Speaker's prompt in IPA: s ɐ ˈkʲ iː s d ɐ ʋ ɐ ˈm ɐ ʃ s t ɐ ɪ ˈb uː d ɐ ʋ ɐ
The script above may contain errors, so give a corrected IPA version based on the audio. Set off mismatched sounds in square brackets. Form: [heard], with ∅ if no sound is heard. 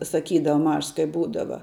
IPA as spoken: s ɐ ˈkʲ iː [∅] d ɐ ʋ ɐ ˈm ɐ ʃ s [k] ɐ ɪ ˈb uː d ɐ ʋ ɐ